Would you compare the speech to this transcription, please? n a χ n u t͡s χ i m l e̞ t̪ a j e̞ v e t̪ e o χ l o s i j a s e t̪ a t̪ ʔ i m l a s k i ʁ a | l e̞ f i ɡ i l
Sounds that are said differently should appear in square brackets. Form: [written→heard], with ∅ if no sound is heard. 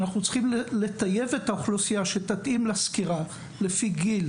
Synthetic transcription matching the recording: n a χ n u t͡s χ i m l e̞ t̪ a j e̞ v e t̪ [e→a] o χ l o s i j a [s→ʃ] e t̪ a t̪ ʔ i m l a s k i ʁ a | l e̞ f i ɡ i l